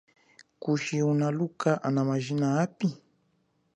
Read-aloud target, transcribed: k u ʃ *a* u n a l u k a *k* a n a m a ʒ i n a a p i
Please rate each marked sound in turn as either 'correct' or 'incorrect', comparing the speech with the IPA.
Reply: incorrect, incorrect

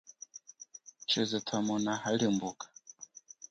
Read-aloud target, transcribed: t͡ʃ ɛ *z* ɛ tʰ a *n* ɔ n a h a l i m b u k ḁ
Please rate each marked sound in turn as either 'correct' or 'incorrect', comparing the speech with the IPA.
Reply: correct, incorrect

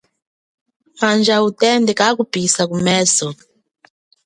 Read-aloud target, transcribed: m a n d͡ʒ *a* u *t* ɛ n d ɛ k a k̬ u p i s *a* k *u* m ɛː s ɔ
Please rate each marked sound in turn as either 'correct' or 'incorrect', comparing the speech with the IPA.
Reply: correct, correct, correct, correct

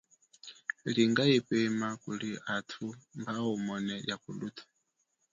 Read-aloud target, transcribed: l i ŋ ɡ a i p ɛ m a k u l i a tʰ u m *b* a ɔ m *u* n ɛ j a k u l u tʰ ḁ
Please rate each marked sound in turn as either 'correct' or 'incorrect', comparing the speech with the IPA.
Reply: correct, incorrect

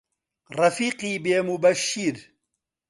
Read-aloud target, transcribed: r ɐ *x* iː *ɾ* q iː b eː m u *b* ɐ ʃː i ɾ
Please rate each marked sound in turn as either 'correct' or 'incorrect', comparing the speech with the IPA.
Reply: incorrect, incorrect, correct

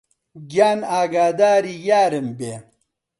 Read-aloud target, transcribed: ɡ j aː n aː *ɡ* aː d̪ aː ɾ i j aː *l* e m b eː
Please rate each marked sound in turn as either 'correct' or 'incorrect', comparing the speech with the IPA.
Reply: correct, incorrect

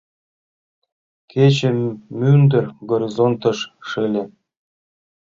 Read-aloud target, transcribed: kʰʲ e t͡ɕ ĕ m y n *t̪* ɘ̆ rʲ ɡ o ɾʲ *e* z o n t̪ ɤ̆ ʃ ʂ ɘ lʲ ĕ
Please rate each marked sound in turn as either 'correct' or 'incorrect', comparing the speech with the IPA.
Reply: incorrect, incorrect

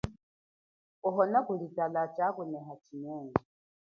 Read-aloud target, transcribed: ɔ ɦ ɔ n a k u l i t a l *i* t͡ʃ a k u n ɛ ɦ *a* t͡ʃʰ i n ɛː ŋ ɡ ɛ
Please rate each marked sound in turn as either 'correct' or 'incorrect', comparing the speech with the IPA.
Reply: incorrect, correct

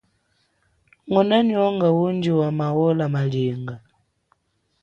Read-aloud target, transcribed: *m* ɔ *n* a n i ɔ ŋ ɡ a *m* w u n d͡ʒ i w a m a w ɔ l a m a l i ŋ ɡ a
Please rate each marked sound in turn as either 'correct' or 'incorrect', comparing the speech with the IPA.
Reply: incorrect, correct, incorrect

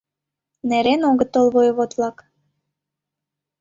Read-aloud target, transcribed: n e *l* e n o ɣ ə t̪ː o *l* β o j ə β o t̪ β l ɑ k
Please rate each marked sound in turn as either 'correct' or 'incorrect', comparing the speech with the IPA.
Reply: incorrect, correct

